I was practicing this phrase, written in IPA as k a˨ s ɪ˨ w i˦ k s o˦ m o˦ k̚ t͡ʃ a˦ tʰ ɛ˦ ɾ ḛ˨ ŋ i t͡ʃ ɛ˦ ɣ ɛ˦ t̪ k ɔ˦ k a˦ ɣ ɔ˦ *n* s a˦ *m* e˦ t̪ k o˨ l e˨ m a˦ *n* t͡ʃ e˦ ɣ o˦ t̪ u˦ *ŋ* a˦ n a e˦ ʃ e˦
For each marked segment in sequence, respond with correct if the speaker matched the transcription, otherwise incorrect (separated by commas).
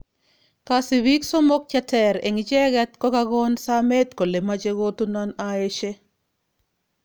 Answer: correct, correct, incorrect, incorrect